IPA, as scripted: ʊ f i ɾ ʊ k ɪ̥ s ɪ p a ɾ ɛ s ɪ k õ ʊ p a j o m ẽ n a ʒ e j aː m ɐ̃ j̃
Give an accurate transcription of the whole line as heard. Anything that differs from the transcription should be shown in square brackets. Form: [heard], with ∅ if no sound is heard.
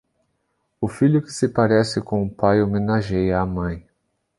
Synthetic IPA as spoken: ʊ f i [ʎ] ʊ k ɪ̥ s ɪ p a ɾ ɛ s ɪ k õ ʊ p a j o m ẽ n a ʒ e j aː m ɐ̃ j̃